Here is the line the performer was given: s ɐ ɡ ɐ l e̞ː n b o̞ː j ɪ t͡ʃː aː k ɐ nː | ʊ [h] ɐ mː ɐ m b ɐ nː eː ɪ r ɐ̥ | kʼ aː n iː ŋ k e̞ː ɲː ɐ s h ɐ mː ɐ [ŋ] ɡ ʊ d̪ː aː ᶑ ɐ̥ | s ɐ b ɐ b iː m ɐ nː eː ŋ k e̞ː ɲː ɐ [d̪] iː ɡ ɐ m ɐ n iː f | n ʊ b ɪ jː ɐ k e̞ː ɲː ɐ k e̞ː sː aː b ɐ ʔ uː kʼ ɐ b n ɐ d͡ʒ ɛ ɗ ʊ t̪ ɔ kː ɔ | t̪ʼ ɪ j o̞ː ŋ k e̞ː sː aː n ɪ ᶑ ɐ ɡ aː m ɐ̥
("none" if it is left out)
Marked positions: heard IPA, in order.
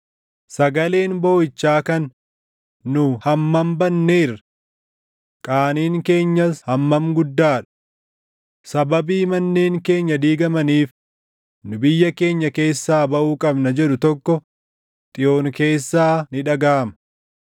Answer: h, m, d̪

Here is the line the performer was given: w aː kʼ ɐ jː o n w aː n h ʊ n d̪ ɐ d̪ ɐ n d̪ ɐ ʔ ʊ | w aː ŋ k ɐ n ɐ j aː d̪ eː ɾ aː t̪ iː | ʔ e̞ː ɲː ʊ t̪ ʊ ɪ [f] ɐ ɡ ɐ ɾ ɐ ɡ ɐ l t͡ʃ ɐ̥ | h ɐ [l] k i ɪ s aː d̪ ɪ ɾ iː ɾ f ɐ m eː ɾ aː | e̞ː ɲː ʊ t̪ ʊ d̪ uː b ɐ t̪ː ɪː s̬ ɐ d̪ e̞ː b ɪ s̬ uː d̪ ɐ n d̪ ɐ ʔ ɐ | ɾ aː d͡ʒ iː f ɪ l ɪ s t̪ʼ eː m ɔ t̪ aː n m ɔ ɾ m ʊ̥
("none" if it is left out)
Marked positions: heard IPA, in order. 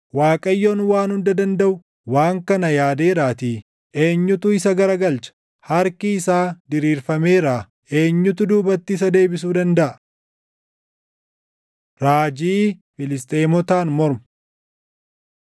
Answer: s, ɾ

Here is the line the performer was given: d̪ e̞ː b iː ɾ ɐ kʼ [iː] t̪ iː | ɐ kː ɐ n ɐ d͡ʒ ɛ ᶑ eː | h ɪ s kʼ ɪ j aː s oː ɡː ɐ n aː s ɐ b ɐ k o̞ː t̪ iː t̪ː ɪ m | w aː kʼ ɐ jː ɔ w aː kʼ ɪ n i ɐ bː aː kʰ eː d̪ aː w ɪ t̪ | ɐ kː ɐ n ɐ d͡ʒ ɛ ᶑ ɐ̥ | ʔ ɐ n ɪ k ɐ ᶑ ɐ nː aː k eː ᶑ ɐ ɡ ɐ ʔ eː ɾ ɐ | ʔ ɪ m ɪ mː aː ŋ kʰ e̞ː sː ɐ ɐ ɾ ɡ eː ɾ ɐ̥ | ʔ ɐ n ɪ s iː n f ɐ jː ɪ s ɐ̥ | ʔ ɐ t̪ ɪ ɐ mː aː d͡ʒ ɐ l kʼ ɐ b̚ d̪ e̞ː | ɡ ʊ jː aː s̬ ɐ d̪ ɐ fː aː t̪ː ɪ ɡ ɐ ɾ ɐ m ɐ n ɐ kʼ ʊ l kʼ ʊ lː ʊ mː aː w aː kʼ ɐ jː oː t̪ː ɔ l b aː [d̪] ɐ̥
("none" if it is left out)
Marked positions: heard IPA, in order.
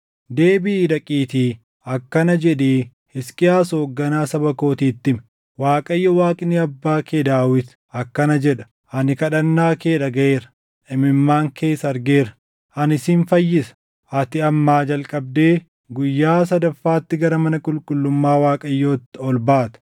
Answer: iː, t̪

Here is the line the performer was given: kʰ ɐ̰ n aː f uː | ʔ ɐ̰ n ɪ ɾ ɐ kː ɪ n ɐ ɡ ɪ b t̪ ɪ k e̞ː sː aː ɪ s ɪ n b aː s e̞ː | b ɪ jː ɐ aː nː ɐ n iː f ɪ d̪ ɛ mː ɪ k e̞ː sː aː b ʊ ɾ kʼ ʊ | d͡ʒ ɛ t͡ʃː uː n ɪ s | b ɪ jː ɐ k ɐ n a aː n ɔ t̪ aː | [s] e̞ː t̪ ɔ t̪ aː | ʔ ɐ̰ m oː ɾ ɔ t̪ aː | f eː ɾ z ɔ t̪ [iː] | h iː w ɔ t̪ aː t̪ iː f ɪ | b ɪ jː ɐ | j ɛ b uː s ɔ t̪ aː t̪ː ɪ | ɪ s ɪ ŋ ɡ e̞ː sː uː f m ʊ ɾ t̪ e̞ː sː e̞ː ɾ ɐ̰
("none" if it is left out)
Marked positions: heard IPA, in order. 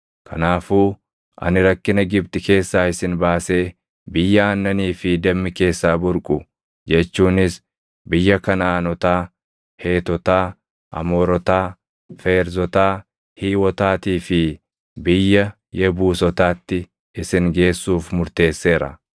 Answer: h, aː

